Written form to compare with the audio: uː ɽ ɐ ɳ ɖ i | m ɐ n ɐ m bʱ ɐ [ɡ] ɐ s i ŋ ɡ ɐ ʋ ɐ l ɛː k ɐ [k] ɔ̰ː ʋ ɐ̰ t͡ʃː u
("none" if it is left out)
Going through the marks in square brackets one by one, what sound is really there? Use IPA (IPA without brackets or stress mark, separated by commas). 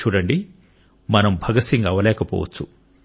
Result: ɡ, p